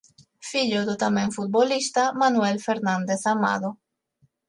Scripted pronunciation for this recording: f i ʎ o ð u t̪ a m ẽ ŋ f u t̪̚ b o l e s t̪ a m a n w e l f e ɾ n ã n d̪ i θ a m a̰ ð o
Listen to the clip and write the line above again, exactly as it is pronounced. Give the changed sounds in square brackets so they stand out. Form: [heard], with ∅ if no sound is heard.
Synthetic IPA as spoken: f i ʎ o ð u t̪ a m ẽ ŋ f u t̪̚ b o l [i] s t̪ a m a n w e l f e ɾ n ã n d̪ [e] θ a m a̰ ð o